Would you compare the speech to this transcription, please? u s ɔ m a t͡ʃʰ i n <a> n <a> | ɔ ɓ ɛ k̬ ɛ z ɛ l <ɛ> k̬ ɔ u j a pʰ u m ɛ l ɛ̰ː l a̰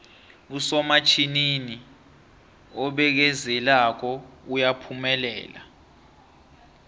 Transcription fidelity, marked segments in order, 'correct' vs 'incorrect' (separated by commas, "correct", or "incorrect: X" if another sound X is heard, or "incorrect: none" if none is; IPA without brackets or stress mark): incorrect: i, incorrect: i, incorrect: a